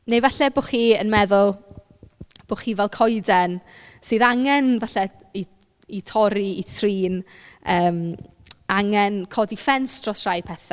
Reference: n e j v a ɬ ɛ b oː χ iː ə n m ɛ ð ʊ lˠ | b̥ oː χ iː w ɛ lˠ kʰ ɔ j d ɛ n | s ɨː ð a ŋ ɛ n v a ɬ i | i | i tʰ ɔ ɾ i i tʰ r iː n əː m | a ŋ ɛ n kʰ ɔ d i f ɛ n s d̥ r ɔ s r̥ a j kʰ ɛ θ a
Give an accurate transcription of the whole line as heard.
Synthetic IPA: n e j v a ɬ ɛ b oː χ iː ə n m ɛ ð ʊ lˠ | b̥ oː χ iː v ɛ lˠ kʰ ɔ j d ɛ n | s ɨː ð a ŋ ɛ n v a ɬ ɛ | i | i tʰ ɔ ɾ i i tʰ r iː n əː m | a ŋ ɛ n kʰ ɔ d i f ɛ n s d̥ r ɔ s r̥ a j pʰ ɛ θ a